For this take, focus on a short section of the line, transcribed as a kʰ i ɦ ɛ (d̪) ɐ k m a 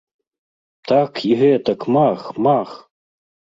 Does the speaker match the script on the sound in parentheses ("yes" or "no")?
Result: no